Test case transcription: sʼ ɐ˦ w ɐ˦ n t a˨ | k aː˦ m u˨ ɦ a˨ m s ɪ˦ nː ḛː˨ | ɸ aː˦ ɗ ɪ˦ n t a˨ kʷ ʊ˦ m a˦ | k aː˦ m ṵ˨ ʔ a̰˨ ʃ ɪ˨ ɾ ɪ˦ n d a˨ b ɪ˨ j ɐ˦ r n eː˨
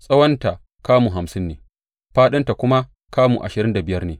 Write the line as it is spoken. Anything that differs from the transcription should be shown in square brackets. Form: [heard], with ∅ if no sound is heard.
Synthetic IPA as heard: sʼ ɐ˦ w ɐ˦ n t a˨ | k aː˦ m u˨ ɦ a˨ m s ɪ˦ nː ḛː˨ | ɸ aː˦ ɗ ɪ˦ n t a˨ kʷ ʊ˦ m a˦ | k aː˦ m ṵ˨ ʔ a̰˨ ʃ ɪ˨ ɾ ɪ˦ n d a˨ b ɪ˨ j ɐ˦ r n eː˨